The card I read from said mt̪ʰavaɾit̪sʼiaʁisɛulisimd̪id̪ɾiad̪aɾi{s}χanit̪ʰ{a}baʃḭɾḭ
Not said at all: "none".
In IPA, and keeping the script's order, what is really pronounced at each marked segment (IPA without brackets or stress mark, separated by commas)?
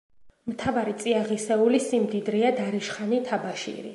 ʃ, a